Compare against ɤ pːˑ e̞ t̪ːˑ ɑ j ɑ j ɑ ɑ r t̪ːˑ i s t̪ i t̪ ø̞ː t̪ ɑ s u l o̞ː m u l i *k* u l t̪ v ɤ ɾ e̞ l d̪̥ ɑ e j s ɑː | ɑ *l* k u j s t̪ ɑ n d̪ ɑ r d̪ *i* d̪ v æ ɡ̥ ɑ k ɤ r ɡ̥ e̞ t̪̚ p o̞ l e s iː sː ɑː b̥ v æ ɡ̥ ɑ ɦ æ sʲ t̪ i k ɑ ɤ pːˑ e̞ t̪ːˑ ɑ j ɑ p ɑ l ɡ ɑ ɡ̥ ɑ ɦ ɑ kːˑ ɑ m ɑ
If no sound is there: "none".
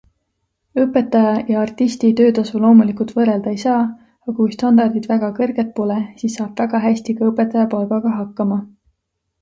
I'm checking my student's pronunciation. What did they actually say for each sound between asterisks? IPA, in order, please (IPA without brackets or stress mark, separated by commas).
k, none, i